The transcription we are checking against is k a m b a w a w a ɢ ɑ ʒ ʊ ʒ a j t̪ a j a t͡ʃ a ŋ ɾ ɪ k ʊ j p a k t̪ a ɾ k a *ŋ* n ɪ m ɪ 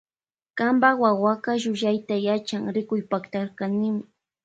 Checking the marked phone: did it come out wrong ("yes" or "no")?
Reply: yes